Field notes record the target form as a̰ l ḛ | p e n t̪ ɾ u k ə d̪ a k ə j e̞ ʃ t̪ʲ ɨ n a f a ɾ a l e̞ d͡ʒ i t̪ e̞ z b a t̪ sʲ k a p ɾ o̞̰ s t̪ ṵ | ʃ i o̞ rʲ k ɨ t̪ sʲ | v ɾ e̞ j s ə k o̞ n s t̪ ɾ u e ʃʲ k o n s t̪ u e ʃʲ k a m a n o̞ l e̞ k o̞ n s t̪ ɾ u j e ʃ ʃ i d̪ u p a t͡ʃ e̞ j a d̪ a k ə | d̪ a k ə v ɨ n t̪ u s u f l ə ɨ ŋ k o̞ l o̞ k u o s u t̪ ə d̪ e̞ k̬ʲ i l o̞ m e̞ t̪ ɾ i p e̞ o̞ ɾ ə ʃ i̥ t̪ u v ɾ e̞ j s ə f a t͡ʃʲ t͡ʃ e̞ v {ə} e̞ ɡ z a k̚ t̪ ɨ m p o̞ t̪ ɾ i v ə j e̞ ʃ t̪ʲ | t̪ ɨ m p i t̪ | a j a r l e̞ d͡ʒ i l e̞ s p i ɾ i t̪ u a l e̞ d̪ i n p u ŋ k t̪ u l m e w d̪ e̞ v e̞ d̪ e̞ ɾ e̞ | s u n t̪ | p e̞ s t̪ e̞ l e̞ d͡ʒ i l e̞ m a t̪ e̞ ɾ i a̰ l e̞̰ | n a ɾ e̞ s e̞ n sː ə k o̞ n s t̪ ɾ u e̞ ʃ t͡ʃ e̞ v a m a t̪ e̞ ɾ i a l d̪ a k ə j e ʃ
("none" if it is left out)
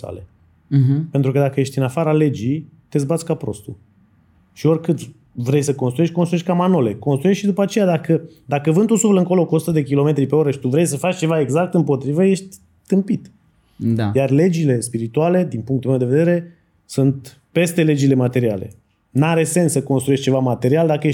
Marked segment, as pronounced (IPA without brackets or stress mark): a